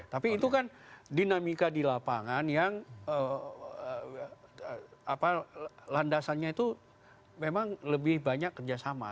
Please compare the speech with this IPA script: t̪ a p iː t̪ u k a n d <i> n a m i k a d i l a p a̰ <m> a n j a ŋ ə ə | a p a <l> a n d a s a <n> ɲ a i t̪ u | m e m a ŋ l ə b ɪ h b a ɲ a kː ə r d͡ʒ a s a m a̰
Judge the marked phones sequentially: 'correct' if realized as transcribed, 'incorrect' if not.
correct, incorrect, correct, correct

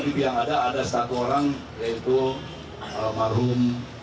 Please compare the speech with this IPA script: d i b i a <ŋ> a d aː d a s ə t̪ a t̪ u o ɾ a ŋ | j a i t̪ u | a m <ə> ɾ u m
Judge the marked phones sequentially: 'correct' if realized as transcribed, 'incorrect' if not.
correct, incorrect

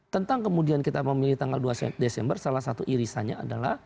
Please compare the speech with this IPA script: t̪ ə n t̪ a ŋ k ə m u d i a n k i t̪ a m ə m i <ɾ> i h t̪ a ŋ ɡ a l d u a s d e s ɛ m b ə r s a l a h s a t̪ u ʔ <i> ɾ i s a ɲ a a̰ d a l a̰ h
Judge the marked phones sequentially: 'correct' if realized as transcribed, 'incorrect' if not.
incorrect, correct

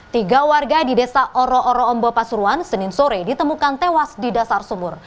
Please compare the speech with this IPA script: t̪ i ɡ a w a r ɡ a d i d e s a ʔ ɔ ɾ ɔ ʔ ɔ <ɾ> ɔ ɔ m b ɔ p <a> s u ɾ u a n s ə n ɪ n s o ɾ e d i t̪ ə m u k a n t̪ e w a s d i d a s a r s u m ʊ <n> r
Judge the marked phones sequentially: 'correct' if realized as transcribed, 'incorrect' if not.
correct, correct, incorrect

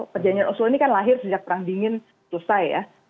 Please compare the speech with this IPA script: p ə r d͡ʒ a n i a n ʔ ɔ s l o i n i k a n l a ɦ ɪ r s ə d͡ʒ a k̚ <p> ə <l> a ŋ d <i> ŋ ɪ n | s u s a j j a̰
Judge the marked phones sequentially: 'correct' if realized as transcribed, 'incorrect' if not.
correct, incorrect, correct

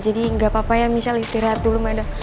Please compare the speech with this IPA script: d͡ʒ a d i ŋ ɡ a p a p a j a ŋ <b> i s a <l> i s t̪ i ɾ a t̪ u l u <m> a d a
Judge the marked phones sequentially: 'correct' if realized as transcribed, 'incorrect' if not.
incorrect, correct, correct

